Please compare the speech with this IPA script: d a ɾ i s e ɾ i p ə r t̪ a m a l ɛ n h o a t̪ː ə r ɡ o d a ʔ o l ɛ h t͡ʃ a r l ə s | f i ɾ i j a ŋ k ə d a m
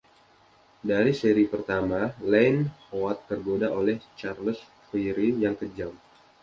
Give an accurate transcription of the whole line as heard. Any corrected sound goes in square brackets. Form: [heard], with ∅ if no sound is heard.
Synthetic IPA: d a ɾ i s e ɾ i p ə r t̪ a m a l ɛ n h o a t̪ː ə r ɡ o d a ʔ o l ɛ h t͡ʃ a r l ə s | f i ɾ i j a ŋ k ə [d͡ʒ] a m